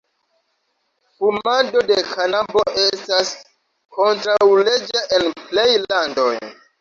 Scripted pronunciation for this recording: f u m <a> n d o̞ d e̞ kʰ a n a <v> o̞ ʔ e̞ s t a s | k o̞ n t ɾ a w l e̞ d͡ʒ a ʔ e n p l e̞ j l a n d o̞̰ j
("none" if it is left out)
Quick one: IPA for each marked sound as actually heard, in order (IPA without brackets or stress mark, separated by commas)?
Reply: a, b